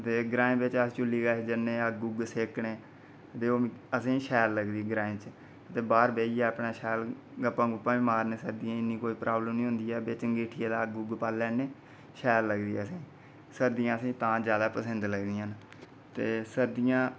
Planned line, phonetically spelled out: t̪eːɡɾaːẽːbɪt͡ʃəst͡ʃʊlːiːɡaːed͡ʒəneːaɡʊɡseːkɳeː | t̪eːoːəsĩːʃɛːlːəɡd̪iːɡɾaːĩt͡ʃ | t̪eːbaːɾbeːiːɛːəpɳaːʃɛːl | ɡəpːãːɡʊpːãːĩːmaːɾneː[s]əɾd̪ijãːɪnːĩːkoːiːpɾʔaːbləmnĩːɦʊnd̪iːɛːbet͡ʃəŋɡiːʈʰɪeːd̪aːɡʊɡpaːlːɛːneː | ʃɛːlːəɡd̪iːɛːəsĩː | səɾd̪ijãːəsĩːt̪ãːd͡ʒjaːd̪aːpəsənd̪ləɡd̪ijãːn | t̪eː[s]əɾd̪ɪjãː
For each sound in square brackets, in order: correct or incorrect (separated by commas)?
correct, correct